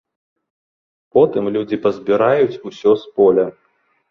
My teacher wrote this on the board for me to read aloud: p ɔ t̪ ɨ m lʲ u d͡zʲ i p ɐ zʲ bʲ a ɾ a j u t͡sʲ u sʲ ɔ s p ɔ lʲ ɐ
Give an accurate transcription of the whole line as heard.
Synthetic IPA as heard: p ɔ t̪ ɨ m lʲ u d͡zʲ i p ɐ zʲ bʲ i ɾ a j u t͡sʲ u sʲ ɔ s p ɔ lʲ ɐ

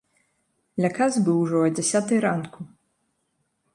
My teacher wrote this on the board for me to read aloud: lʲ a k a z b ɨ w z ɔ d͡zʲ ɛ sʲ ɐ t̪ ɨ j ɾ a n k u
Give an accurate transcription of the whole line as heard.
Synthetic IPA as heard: lʲ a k a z b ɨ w ʐ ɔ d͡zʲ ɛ sʲ a t̪ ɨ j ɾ a n k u

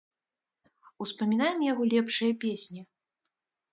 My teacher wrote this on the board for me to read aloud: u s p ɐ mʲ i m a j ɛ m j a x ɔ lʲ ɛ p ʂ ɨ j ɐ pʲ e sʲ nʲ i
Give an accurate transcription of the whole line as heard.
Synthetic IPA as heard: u s p ɐ mʲ i n a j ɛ m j a ɣ ɔ lʲ ɛ p ʂ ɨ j ɐ pʲ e sʲ nʲ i

